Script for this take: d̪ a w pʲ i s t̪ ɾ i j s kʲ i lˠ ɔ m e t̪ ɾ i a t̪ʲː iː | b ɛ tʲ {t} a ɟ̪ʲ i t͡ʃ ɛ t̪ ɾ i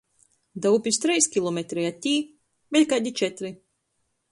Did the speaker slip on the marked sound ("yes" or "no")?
yes